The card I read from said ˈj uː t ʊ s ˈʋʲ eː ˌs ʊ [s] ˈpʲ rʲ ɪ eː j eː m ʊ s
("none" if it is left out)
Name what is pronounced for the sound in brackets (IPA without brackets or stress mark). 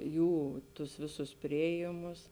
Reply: s